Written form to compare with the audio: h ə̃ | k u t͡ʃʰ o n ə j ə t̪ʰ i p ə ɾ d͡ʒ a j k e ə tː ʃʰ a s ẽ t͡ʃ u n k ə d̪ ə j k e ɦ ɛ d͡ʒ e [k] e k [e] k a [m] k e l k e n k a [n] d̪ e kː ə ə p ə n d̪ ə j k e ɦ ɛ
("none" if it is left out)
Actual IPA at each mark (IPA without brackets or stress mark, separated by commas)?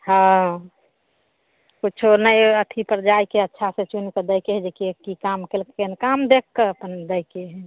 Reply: k, i, m, m